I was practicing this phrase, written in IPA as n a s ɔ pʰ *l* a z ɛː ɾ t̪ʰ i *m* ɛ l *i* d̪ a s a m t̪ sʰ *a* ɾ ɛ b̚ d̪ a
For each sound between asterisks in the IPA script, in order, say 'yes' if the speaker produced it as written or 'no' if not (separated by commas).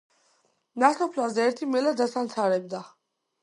yes, yes, no, yes